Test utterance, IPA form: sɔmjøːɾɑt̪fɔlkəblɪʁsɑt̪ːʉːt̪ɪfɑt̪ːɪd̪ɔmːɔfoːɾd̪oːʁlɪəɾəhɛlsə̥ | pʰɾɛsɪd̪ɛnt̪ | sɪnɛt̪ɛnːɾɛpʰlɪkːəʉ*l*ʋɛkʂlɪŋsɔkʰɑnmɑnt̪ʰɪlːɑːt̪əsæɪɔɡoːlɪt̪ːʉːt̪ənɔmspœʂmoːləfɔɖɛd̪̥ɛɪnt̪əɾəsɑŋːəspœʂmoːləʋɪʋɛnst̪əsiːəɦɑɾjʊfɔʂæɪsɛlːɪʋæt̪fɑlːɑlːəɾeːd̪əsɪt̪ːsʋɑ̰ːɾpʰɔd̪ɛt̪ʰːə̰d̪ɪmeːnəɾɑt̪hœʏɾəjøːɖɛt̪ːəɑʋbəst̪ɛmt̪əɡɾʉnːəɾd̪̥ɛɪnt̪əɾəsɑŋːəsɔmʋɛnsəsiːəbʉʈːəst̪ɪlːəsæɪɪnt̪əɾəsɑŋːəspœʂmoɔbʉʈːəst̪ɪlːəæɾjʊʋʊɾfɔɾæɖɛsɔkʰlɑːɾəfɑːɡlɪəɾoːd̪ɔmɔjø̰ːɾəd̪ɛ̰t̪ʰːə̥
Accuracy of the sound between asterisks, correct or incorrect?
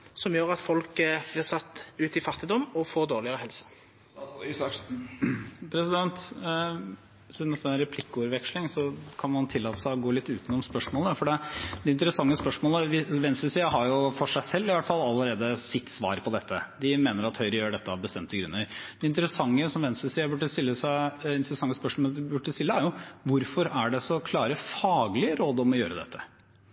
incorrect